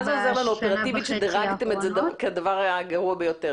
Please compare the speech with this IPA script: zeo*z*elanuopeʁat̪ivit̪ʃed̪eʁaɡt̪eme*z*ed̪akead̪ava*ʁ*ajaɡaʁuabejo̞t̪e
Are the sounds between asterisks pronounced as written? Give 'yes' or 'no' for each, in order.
yes, yes, yes

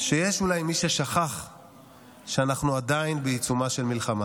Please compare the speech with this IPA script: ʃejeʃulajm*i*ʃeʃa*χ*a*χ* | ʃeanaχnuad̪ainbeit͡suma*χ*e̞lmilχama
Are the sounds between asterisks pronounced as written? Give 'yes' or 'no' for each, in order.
yes, yes, yes, no

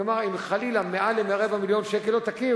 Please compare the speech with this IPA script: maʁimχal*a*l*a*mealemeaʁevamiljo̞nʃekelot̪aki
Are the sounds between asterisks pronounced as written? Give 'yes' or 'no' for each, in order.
no, yes

